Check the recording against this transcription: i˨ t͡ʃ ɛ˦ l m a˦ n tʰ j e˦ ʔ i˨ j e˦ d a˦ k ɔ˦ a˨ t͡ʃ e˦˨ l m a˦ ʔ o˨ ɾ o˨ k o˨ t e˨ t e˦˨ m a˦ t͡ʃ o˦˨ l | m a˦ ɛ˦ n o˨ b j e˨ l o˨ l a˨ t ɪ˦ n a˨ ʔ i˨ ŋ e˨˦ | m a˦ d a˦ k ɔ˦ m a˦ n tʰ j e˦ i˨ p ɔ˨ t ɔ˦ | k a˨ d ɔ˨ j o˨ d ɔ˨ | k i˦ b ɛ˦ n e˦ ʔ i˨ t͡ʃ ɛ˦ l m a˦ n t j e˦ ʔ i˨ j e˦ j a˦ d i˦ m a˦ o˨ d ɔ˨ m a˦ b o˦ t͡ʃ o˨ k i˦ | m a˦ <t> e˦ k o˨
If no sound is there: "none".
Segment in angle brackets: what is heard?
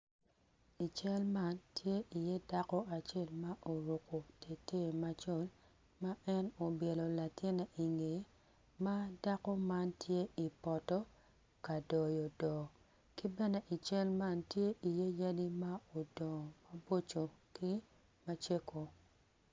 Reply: t͡ʃ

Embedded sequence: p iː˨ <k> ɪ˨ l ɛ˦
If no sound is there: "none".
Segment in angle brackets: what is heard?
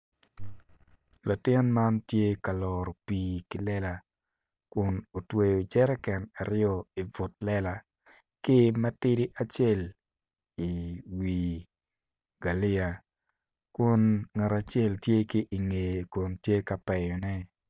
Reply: k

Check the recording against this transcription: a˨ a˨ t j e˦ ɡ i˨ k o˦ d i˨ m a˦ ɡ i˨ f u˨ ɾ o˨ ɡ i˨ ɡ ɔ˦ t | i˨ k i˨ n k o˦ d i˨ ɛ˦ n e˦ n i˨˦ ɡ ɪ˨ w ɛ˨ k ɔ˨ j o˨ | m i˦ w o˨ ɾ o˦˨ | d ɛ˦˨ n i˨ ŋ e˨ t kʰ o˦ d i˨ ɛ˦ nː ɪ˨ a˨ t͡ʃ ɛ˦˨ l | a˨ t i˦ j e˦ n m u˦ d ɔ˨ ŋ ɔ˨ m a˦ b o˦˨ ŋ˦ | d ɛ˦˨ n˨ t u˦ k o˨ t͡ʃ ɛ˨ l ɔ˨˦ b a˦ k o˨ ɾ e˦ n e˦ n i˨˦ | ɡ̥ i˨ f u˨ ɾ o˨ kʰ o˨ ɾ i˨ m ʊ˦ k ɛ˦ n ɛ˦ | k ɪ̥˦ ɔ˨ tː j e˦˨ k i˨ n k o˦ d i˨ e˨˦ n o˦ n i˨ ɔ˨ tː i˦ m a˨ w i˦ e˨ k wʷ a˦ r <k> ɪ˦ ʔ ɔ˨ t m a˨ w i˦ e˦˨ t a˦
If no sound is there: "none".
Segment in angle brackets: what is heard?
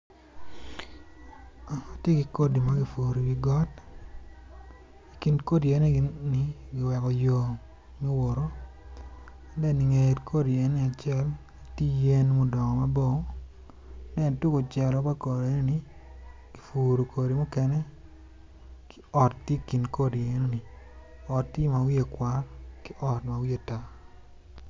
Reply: k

